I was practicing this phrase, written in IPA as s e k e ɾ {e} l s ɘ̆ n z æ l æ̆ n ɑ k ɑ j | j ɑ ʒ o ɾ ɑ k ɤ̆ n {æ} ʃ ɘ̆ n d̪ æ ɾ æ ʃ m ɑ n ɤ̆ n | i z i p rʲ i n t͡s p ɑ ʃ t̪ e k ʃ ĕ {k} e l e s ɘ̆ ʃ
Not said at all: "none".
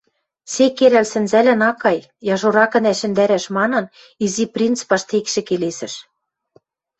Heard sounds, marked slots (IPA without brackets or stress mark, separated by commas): æ, æ, k